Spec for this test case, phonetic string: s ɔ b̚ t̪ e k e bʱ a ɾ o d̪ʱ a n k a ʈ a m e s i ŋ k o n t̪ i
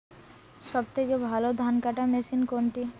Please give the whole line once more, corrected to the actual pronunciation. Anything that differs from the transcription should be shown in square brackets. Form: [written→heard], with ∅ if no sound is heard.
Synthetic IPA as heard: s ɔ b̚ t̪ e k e bʱ a [ɾ→l] o d̪ʱ a n k a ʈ a m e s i [ŋ→n] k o n t̪ i